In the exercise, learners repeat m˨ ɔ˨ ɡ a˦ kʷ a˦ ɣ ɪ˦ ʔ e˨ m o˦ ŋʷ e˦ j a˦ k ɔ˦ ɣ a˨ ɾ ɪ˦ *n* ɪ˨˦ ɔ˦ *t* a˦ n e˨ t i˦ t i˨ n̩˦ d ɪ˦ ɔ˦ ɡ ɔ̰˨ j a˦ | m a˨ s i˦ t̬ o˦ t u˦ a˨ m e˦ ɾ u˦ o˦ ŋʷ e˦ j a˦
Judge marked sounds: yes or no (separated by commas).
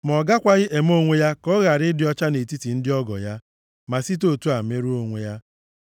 no, no